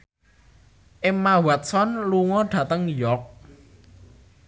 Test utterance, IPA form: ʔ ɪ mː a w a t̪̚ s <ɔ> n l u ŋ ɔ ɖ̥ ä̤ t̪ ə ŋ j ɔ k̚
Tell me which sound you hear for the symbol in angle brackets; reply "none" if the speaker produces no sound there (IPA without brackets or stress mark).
ɔ